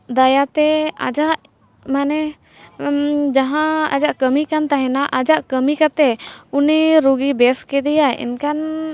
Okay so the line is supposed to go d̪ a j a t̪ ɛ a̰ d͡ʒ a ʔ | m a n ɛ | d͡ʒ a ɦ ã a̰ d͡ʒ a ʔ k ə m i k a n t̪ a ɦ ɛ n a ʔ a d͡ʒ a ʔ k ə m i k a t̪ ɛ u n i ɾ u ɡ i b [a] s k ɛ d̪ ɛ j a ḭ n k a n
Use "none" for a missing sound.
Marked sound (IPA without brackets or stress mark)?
ɛ